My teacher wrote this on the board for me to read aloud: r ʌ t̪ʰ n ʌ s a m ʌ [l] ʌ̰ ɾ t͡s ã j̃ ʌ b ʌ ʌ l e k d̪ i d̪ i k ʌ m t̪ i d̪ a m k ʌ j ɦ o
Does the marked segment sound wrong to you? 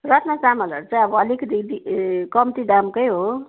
no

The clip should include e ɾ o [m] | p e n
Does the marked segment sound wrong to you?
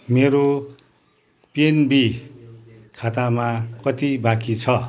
yes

